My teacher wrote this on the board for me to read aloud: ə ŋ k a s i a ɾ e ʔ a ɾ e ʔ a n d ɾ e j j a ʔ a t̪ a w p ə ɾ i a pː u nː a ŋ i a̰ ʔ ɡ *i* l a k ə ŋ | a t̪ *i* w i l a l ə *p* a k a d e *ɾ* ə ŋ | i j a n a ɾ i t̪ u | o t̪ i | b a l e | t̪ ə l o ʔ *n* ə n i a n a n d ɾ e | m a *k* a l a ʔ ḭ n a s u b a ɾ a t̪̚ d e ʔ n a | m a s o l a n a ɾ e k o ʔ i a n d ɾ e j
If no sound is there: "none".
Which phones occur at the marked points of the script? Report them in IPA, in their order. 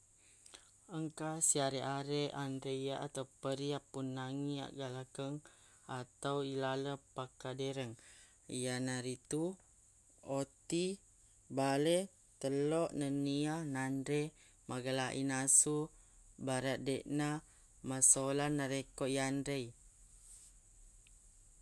a, a, p, ɾ, n, ɡ

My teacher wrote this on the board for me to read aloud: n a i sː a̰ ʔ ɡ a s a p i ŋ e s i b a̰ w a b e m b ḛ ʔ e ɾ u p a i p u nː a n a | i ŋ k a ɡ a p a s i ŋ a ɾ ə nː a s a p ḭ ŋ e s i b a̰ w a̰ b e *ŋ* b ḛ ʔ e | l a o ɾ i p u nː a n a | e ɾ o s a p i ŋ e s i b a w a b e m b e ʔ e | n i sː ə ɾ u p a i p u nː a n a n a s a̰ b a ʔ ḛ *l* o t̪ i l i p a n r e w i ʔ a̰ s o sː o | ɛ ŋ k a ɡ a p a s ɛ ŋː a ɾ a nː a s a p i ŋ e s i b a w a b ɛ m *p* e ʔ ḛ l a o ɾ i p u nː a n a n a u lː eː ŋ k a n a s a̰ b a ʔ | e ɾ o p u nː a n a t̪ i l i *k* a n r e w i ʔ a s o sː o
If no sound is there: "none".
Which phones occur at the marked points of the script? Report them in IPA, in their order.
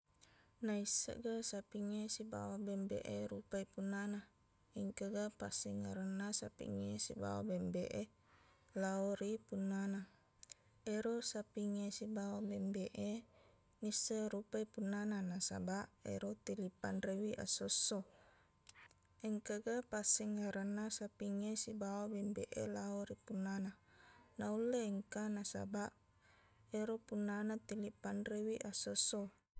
m, ɾ, b, p

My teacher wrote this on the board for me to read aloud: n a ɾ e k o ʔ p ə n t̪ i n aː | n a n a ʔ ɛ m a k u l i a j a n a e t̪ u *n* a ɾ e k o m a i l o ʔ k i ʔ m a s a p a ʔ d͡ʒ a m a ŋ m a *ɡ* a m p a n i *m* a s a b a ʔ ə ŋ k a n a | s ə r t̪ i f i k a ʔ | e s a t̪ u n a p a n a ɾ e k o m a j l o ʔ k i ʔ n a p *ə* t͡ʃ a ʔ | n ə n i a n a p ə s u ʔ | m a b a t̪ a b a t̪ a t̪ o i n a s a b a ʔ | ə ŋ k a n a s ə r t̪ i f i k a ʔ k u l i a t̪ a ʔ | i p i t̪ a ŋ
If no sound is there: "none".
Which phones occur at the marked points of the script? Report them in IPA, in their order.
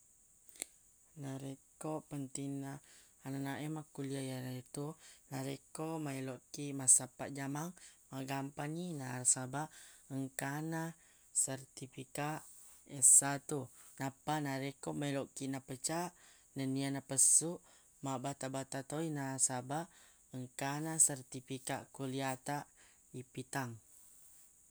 n, ɡ, n, ə

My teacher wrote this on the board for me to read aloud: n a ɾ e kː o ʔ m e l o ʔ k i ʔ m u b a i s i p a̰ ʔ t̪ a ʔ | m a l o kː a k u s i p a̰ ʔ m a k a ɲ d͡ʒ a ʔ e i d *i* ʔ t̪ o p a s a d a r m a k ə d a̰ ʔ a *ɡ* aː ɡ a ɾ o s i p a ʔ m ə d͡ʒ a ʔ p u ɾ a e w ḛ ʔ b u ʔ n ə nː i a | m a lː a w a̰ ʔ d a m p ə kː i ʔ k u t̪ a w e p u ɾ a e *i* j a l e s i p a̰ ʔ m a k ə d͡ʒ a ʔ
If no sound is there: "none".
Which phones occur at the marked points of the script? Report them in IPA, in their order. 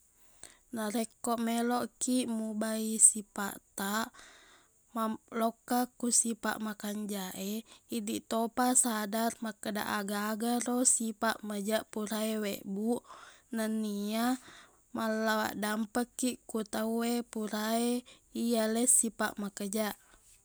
i, ɡ, i

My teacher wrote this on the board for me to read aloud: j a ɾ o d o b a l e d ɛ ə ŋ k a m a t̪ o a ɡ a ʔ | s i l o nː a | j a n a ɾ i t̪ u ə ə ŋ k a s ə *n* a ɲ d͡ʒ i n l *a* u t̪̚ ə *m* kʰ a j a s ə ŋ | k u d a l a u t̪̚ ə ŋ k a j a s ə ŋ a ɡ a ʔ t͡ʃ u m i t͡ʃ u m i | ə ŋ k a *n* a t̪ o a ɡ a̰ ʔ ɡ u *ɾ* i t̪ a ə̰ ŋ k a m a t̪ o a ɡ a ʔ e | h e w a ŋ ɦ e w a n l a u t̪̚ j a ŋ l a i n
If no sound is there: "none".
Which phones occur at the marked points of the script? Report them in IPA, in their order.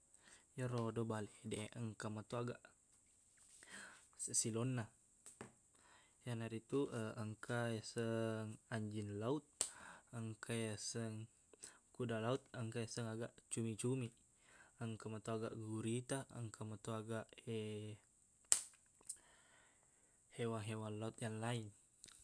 ŋ, a, ŋ, m, ɾ

